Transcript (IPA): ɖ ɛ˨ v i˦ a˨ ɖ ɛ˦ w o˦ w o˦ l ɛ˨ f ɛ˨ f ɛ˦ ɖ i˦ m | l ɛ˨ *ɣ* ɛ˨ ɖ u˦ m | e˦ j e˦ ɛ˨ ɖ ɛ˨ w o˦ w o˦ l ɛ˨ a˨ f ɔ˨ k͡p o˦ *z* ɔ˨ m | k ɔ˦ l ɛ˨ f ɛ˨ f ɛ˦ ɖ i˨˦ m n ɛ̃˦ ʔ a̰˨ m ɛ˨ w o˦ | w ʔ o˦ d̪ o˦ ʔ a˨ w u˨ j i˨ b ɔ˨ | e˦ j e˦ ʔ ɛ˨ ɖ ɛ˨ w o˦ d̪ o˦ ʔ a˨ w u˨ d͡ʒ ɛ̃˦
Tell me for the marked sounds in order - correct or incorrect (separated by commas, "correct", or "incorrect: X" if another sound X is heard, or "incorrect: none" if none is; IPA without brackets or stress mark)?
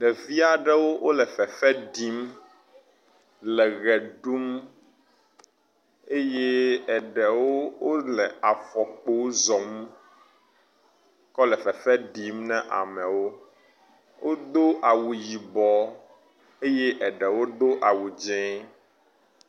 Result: correct, correct